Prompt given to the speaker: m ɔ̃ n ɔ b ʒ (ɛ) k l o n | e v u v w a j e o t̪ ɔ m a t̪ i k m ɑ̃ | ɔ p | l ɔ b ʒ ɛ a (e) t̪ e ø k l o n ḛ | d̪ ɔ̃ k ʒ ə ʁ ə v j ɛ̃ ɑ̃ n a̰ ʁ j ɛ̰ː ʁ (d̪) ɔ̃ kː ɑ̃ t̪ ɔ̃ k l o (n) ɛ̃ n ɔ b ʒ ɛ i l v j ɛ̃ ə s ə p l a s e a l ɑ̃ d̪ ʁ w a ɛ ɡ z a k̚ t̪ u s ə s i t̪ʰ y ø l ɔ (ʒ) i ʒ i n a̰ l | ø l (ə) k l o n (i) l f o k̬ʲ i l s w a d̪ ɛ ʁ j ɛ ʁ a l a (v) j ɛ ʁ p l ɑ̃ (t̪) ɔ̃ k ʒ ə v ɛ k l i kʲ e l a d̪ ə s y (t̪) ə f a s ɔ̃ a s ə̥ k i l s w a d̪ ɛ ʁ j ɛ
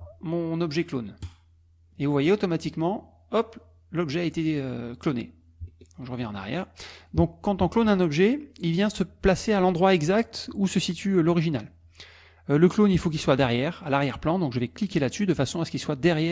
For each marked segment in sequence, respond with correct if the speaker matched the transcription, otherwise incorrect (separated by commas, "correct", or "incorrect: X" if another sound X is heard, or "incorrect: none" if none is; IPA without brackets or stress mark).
correct, correct, correct, correct, incorrect: ʁ, correct, correct, incorrect: ʁ, incorrect: d̪, incorrect: d̪